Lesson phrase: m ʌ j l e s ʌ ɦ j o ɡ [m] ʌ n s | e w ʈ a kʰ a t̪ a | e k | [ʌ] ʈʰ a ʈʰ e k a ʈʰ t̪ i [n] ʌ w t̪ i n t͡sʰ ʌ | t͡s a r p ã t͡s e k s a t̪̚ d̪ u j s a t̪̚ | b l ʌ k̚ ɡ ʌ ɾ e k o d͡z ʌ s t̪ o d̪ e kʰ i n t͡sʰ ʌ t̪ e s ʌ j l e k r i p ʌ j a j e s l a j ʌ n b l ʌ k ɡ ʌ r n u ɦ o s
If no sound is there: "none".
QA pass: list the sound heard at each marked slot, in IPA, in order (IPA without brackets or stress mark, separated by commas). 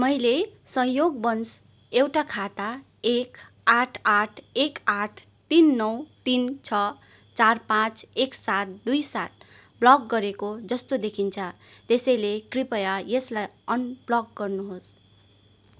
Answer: b, a, nː